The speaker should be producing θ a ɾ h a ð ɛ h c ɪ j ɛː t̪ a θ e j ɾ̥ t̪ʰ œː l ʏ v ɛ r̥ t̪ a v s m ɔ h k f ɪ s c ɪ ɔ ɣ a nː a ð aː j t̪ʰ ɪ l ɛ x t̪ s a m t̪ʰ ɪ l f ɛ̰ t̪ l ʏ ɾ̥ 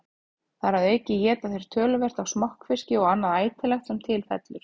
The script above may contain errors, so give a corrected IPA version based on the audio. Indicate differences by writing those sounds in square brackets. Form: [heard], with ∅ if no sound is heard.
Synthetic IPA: θ a ɾ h a ð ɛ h c ɪ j ɛː t̪ a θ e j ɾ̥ t̪ʰ œː l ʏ v ɛ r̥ t̪ a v s m ɔ h k f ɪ s c ɪ ɔ ɣ a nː a ð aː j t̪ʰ ɪ l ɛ x t̪ s [ɛ] m t̪ʰ ɪ l f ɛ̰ t̪ l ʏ ɾ̥